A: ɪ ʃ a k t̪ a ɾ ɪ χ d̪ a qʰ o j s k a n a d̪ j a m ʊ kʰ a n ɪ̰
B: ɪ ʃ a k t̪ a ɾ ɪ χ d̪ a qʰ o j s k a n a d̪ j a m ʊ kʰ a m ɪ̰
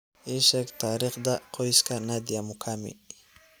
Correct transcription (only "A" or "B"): B